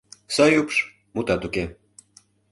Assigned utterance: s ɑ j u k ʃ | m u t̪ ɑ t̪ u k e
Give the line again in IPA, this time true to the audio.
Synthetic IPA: s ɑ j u p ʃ | m u t̪ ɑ t̪ u k e

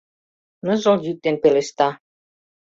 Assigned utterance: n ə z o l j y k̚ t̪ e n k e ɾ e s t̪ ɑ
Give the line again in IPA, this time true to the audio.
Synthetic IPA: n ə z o l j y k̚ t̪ e n p e l e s t̪ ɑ

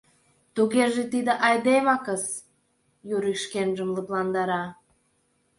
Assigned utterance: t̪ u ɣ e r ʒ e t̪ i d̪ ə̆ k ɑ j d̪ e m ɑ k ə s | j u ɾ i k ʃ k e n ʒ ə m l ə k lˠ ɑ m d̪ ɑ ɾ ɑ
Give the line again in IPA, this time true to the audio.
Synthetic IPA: t̪ u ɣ e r ʒ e t̪ i d̪ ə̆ ʔ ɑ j d̪ e m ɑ k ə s | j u ɾ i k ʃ k e n ʒ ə m l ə p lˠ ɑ n d̪ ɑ ɾ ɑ

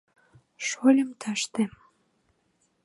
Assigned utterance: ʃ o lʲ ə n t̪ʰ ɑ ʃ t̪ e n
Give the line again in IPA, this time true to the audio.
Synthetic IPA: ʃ o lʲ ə m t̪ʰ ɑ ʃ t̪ e m

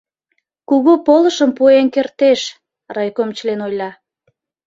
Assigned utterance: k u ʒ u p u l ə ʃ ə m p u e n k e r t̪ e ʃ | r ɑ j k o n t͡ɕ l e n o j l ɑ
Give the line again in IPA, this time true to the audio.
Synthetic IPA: k u ɣ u p o l ə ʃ ə m p u e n k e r t̪ e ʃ | r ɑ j k o m t͡ɕ l e n o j l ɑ

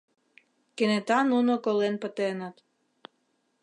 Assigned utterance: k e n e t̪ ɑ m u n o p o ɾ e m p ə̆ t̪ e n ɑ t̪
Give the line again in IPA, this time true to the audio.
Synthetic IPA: k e n e t̪ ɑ n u n o k o l e n p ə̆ t̪ e n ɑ t̪

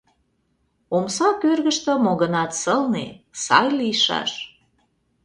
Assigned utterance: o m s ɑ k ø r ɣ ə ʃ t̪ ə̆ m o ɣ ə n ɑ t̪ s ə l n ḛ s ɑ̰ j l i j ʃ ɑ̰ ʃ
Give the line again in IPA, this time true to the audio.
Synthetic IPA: o m s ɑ k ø r ɣ ə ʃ t̪ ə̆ m o ɣ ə n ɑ t̪ s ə l n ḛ s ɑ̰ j l i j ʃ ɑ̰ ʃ

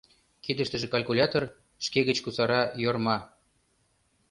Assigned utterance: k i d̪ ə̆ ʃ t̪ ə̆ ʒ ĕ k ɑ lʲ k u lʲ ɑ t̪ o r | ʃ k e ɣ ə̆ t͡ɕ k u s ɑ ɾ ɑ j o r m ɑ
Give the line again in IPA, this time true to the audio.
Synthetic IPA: k i d̪ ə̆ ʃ t̪ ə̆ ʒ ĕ k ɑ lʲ k u lʲ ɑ t̪ o r | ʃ k e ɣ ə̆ t͡ɕ k u s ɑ ɾ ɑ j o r m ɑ

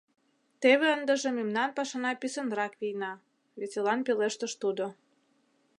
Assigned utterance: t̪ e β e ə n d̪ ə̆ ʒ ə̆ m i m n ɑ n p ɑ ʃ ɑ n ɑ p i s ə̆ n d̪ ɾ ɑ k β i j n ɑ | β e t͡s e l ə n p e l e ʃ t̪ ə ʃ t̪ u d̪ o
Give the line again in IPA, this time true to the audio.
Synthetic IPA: t̪ e β e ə n d̪ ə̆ ʒ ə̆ m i m n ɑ n p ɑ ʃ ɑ n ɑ p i s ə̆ n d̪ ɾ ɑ k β i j n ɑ | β e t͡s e l ɑ n p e l e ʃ t̪ ə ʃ t̪ u d̪ o

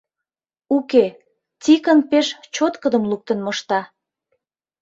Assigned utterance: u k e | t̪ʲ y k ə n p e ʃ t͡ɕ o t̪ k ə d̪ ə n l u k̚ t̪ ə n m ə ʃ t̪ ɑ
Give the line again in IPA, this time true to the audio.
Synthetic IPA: u k e | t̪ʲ i k ə n p e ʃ t͡ɕ o t̪ k ə d̪ ə m l u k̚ t̪ ə n m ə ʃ t̪ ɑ

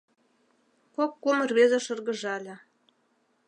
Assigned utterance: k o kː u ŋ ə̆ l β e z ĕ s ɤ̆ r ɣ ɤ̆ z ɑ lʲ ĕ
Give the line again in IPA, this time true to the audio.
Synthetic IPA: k o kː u m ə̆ r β e z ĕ ʃ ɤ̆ r ɣ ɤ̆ ʒ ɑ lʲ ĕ

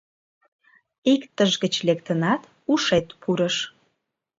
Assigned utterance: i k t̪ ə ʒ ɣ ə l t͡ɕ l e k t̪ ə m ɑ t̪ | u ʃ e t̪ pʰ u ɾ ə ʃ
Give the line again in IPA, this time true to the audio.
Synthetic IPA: i k t̪ ə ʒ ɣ ə t͡ɕ l e k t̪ ə n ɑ t̪ | u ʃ e t̪ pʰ u ɾ ə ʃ

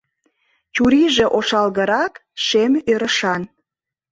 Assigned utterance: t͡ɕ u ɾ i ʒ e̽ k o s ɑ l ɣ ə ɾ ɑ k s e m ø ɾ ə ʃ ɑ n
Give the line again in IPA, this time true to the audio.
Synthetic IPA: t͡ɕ u ɾ i ʒ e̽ ʔ o ʃ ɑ l ɣ ə ɾ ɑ k ʃ e m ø ɾ ə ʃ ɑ n

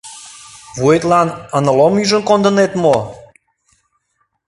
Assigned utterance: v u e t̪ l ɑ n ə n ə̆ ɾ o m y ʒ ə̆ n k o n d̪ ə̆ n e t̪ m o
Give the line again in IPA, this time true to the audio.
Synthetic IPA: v u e t̪ l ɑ n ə n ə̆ l o m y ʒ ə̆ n k o n d̪ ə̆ n e t̪ m o

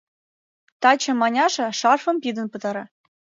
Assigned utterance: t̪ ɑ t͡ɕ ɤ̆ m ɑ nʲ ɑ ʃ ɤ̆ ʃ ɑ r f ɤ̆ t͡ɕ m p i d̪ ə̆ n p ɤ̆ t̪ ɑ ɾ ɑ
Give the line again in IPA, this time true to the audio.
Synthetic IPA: t̪ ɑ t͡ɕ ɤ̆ m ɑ nʲ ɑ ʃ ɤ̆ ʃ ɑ r f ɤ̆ m p i d̪ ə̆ n p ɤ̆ t̪ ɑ ɾ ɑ

